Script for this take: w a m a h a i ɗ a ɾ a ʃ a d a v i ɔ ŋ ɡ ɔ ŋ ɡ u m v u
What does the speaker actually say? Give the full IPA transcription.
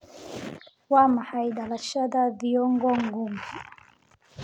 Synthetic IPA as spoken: w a m a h a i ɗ a l a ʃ a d a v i ɔ ŋ ɡ ɔ ŋ ɡ u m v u